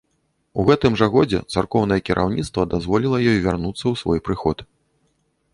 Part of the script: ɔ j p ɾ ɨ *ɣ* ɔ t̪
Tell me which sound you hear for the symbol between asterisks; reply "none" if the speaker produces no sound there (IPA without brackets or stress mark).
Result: x